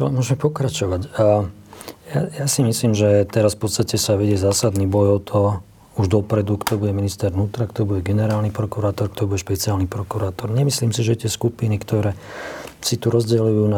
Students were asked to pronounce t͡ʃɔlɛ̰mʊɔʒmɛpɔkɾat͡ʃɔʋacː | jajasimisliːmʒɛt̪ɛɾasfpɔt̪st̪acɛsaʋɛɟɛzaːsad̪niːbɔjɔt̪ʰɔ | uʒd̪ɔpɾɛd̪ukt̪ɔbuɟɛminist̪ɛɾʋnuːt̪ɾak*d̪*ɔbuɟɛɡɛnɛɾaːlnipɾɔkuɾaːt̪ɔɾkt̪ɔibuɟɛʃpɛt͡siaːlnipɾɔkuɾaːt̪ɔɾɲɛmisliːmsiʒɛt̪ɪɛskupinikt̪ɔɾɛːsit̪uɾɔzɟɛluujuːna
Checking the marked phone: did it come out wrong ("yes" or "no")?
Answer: yes